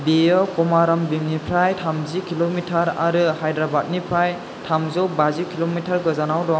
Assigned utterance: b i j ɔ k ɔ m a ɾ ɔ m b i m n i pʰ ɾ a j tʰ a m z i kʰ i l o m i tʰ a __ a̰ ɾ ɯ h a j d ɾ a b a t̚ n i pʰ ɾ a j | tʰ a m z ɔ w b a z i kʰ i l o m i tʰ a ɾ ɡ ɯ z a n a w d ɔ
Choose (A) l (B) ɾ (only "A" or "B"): B